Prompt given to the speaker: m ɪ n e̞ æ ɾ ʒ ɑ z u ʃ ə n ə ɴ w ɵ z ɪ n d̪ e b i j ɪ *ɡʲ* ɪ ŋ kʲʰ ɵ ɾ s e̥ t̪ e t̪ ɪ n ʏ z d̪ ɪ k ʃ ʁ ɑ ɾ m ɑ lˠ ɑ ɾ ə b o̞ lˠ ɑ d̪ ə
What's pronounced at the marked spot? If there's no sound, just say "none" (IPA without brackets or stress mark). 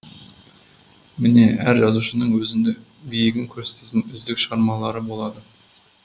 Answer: ɡʲ